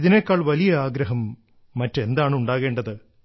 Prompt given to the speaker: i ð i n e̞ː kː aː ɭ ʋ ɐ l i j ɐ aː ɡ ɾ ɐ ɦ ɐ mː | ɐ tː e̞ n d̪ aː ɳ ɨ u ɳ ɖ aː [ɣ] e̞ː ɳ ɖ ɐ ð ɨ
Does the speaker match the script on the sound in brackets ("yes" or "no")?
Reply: yes